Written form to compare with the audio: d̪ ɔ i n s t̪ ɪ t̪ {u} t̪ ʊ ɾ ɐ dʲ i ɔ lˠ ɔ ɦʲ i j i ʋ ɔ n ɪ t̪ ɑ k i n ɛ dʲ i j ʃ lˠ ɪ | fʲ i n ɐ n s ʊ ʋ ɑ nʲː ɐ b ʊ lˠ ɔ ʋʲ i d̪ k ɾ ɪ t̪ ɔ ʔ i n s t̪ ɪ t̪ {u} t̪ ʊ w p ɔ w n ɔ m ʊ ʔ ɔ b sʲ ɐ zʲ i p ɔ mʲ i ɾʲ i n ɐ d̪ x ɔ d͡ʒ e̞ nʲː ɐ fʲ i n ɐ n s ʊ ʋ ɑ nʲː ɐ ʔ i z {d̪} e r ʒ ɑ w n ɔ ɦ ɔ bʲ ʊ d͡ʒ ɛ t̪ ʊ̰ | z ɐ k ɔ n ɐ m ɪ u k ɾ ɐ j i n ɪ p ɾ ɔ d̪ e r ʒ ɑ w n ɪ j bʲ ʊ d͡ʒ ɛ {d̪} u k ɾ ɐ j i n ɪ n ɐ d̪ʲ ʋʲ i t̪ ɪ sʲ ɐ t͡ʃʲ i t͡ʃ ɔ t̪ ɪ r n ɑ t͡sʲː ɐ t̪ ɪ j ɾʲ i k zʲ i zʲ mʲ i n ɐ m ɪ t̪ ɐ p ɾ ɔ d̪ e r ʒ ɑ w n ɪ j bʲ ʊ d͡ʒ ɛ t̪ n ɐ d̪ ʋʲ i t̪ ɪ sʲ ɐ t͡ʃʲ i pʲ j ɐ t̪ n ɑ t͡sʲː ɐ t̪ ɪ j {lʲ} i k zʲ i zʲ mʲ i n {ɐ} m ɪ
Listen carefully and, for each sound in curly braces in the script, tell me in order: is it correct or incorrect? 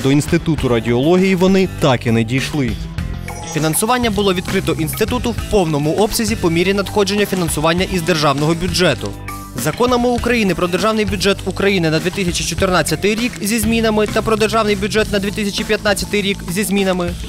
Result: correct, correct, correct, incorrect: t̪, incorrect: ɾʲ, correct

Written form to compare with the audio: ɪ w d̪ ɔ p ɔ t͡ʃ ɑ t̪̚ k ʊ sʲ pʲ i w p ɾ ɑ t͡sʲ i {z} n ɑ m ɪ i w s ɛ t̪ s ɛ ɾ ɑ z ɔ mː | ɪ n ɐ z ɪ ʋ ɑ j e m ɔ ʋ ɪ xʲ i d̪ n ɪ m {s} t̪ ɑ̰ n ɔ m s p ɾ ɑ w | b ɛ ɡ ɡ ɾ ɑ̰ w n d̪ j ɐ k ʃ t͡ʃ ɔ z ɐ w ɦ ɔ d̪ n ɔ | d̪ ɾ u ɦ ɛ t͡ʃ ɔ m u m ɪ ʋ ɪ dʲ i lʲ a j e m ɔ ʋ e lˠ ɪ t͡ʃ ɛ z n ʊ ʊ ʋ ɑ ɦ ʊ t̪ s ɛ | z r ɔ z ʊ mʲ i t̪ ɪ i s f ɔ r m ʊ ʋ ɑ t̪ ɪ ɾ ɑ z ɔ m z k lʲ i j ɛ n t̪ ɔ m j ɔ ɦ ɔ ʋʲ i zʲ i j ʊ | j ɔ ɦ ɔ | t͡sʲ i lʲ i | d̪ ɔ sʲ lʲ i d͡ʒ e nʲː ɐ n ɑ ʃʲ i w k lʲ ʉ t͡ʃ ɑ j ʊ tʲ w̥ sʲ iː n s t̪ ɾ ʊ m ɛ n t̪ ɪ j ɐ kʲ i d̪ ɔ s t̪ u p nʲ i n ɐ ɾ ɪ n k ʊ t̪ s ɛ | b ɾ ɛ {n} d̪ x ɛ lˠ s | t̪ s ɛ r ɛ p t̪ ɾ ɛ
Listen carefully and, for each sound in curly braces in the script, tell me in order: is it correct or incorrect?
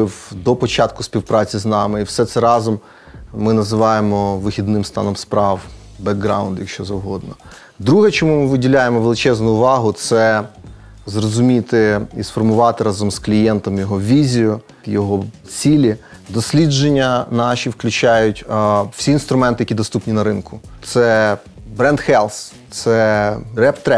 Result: correct, correct, correct

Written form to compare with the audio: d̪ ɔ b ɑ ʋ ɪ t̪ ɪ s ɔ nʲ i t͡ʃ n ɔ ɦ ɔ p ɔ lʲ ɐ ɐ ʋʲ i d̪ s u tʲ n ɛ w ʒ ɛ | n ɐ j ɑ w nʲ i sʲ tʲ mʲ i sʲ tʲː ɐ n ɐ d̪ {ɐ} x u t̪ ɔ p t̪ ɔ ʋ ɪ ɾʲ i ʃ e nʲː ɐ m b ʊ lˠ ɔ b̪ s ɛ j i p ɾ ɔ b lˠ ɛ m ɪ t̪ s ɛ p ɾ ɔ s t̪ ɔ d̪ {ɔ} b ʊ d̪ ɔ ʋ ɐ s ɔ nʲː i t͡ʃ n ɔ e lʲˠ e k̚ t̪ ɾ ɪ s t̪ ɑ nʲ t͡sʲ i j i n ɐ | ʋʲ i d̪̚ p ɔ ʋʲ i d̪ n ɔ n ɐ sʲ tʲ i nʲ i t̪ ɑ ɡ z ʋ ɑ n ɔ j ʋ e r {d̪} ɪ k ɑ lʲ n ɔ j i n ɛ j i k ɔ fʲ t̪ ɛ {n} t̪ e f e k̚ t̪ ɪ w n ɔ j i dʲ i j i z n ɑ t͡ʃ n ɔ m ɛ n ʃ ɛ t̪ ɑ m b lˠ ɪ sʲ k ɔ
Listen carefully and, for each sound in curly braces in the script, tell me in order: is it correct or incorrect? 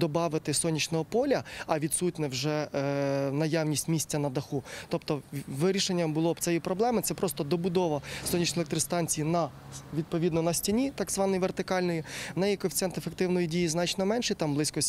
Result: correct, correct, incorrect: t̪, correct

